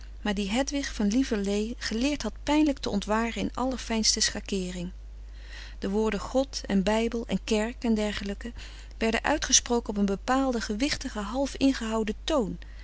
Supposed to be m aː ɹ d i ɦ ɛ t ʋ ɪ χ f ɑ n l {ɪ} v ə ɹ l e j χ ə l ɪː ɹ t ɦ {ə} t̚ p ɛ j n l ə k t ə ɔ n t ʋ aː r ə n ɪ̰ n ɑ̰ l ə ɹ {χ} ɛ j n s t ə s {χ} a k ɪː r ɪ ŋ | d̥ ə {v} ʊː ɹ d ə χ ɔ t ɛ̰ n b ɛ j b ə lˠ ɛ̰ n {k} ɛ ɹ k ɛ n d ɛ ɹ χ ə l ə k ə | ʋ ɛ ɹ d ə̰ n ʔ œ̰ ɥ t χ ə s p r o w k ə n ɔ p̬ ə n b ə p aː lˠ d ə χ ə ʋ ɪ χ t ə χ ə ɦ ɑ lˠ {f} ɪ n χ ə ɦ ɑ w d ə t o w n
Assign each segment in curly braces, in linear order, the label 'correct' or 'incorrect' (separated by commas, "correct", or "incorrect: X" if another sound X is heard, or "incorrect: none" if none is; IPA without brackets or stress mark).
incorrect: i, incorrect: ɑ, incorrect: f, correct, incorrect: ʋ, correct, correct